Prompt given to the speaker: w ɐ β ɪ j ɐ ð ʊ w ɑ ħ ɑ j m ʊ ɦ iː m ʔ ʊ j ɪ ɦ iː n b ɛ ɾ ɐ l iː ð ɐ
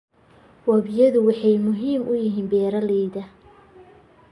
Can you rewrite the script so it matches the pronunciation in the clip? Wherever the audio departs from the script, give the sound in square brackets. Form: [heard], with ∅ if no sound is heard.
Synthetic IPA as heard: w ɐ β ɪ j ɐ ð ʊ w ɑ ħ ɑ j m ʊ ɦ iː m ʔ ʊ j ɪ ɦ iː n b [ɛː] ɾ ɐ l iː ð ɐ

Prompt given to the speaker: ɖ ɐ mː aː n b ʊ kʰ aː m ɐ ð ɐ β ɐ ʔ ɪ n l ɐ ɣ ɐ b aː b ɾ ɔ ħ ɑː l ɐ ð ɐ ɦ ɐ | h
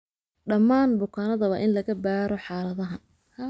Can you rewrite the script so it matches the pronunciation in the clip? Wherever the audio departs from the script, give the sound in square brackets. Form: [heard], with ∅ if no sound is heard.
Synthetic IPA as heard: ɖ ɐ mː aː n b ʊ kʰ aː [n] ɐ ð ɐ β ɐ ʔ ɪ n l ɐ ɣ ɐ b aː [∅] ɾ ɔ ħ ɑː l ɐ ð ɐ ɦ ɐ | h

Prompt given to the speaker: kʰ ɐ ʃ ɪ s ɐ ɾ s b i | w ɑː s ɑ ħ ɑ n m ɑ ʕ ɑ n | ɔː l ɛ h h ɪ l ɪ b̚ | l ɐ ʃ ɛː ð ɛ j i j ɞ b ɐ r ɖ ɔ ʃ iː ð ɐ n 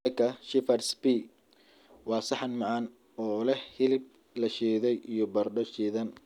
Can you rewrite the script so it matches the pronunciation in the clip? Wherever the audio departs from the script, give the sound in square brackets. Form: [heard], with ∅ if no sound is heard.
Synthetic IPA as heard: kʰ ɐ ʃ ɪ [f] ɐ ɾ s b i | w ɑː s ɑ ħ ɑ n m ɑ ʕ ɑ n | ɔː l ɛ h h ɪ l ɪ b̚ | l ɐ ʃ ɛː ð ɛ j i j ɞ b ɐ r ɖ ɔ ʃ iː ð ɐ n

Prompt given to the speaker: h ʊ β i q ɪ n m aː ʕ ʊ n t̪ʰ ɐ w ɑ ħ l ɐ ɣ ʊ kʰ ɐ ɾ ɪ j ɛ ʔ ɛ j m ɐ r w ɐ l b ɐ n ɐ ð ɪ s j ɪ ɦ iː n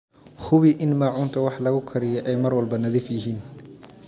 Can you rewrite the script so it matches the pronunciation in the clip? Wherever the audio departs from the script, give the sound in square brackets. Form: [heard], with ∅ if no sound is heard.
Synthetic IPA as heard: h ʊ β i [ʔ] ɪ n m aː ʕ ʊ n t̪ʰ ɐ w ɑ ħ l ɐ ɣ ʊ kʰ ɐ ɾ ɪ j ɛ ʔ ɛ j m ɐ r w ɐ l b ɐ n ɐ ð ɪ [f] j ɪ ɦ iː n

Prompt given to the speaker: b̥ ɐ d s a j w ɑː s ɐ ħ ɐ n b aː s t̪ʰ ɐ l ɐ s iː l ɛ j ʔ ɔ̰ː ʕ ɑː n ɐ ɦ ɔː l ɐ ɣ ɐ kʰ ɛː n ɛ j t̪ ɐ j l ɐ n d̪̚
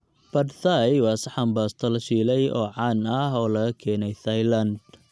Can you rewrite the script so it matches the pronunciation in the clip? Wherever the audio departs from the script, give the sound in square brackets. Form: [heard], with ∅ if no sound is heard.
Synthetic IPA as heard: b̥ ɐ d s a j w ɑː s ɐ ħ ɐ [m] b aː s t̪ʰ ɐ l ɐ [ʃ] iː l ɛ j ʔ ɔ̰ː ʕ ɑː n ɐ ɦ ɔː l ɐ ɣ ɐ kʰ ɛː n ɛ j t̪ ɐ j l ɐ n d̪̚

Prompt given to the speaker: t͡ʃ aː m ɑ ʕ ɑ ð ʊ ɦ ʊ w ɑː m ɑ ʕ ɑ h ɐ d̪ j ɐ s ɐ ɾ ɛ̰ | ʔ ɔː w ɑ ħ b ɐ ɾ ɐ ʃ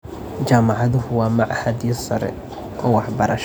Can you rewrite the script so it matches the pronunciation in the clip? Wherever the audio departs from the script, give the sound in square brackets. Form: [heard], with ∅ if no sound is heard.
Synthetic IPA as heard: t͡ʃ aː m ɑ ʕ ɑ ð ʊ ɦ ʊ w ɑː m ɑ ʕ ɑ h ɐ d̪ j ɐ s ɐ ɾ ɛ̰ | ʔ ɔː w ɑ ħ b ɐ ɾ ɐ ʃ

